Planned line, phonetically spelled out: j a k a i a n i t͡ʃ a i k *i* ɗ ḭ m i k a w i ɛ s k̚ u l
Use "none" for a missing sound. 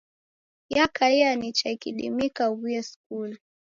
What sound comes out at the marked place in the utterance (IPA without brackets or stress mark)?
i